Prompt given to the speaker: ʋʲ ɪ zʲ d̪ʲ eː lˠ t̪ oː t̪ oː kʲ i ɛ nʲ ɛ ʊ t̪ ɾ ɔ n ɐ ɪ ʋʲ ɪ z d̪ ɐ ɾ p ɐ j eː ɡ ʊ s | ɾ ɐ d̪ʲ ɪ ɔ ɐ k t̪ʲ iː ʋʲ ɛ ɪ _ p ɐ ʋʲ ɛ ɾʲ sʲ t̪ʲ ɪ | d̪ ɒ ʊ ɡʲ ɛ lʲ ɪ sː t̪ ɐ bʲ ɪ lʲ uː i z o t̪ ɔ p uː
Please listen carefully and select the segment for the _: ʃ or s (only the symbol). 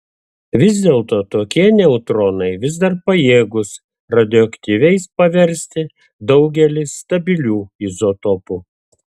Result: s